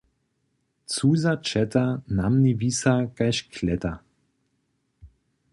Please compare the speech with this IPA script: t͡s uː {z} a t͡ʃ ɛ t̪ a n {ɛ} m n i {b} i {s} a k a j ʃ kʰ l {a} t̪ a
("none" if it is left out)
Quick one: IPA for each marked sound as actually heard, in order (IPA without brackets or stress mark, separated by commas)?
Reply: z, a, v, s, ɛ